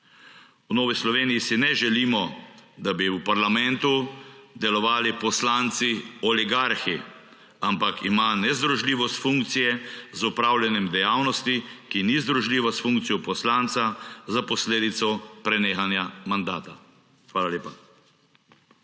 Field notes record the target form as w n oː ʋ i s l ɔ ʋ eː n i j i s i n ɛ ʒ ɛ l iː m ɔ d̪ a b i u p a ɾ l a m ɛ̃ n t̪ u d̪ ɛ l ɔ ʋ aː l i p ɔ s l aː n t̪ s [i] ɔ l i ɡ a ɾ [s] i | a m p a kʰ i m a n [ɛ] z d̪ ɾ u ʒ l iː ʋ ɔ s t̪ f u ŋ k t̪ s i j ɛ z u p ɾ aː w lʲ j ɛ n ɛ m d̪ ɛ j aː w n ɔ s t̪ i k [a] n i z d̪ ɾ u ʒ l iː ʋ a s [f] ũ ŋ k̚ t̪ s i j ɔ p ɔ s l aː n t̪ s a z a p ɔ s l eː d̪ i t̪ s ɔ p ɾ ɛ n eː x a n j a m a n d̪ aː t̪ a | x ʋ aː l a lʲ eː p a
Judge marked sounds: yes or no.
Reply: yes, no, yes, no, yes

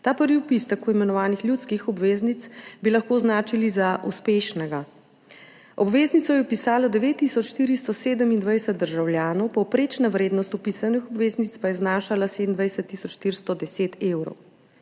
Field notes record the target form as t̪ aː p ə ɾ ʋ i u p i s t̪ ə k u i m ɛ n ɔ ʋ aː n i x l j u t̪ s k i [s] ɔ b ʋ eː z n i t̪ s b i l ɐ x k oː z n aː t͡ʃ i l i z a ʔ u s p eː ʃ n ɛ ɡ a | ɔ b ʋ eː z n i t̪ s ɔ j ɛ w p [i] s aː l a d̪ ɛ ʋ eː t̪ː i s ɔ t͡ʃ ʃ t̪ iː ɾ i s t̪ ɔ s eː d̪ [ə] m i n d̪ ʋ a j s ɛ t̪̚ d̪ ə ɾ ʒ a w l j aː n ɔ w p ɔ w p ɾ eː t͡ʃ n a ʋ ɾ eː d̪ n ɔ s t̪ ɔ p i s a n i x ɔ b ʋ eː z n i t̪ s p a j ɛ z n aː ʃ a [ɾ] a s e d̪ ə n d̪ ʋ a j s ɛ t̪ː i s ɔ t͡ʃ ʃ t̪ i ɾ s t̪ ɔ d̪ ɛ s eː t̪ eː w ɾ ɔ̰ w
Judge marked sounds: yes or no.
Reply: no, yes, yes, no

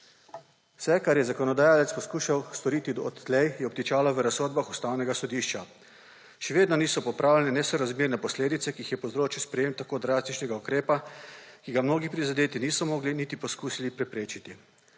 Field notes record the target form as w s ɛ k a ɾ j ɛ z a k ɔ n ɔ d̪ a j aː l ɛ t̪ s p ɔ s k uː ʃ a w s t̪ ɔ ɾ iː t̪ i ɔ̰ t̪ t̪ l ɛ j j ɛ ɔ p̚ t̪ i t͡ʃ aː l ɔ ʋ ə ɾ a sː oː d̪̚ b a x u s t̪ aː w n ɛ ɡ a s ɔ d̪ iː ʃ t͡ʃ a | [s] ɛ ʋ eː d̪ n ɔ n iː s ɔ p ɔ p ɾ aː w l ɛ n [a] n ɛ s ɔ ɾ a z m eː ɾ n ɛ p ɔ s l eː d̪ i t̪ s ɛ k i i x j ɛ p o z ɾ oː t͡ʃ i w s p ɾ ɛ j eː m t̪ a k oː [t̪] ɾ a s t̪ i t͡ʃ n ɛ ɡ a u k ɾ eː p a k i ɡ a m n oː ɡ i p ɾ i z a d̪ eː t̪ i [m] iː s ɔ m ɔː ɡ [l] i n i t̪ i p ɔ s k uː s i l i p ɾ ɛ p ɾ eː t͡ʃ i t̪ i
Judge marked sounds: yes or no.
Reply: no, no, no, no, yes

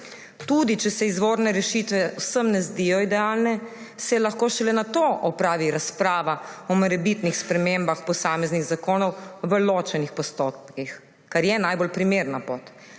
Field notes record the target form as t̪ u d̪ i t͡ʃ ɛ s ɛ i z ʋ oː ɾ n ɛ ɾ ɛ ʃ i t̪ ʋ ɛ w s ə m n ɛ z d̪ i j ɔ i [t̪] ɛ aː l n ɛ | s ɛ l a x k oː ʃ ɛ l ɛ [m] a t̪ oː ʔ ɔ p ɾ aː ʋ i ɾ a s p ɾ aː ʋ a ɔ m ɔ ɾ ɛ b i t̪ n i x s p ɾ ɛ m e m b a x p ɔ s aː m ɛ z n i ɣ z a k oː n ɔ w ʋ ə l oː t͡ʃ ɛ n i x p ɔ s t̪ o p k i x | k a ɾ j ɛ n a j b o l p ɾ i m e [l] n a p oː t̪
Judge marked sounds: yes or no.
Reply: no, no, no

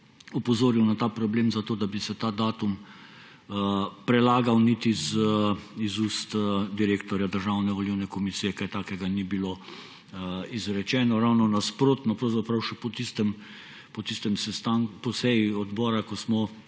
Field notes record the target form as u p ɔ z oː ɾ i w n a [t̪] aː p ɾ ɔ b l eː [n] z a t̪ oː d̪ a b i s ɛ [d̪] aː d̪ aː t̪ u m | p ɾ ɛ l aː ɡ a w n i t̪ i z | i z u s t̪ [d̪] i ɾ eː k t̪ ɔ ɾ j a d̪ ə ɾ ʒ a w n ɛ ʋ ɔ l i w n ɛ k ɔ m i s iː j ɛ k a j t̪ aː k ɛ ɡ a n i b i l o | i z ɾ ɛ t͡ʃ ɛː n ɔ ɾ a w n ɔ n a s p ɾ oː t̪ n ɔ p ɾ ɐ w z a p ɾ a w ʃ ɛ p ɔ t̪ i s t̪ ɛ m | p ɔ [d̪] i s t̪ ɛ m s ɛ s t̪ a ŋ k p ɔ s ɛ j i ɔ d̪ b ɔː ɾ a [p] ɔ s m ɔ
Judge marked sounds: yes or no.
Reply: yes, no, no, yes, no, no

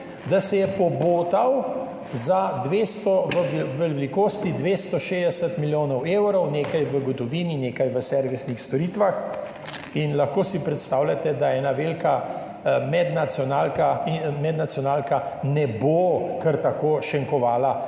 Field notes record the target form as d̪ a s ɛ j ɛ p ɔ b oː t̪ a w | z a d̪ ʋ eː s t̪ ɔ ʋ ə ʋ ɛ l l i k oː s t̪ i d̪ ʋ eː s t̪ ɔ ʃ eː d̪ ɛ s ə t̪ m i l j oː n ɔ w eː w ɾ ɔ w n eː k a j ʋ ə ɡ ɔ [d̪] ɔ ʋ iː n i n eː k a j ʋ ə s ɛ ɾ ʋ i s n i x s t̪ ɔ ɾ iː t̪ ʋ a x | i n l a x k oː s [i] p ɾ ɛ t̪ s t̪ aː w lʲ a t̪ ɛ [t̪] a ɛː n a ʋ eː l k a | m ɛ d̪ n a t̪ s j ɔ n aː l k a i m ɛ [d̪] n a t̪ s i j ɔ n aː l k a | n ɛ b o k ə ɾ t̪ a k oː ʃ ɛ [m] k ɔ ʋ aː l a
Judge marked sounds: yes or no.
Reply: no, yes, no, yes, no

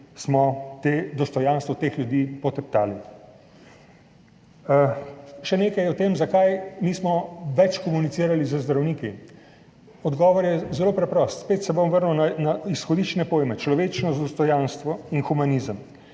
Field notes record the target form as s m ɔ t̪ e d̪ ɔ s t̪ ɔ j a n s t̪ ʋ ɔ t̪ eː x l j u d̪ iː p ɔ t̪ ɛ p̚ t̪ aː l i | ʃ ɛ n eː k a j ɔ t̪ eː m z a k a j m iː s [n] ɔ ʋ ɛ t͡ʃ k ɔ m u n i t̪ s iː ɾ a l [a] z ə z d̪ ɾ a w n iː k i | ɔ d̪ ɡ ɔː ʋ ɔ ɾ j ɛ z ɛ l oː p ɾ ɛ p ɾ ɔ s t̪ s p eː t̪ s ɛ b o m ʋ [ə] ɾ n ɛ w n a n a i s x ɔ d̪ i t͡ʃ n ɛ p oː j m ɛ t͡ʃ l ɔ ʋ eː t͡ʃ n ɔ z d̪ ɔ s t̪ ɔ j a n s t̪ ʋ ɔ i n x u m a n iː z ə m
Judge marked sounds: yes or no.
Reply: no, no, yes

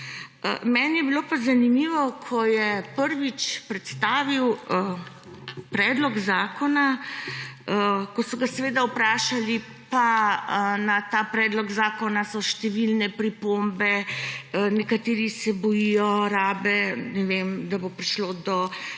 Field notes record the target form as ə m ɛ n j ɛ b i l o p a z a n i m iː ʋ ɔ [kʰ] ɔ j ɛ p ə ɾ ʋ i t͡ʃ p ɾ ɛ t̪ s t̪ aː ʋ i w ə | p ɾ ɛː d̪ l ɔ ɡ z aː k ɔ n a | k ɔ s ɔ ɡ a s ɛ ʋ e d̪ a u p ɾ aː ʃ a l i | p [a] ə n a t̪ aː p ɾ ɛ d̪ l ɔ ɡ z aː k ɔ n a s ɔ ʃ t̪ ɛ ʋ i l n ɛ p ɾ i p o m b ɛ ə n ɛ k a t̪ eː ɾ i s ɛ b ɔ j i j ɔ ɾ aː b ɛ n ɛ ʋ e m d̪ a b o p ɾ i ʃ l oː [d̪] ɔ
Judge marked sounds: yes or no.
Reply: yes, yes, yes

